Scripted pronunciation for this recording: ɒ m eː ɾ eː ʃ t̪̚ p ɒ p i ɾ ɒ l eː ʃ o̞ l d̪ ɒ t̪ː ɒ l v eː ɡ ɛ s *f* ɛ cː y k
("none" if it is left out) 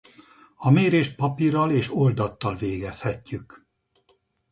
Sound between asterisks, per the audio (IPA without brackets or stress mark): h